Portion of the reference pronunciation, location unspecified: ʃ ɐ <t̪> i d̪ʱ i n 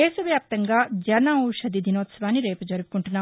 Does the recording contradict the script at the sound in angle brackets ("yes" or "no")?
yes